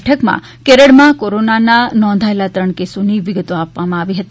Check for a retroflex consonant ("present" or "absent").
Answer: present